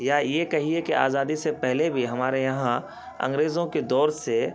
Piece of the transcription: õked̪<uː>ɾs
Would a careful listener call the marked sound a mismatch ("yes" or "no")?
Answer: yes